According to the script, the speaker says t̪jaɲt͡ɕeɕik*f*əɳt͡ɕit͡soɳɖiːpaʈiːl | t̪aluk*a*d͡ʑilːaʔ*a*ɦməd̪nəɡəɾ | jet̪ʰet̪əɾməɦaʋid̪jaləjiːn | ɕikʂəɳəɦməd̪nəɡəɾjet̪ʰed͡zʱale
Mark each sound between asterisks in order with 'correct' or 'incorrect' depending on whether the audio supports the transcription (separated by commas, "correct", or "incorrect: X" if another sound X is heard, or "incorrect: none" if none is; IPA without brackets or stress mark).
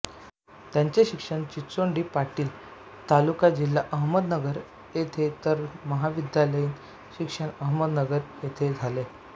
incorrect: ʂ, correct, incorrect: ə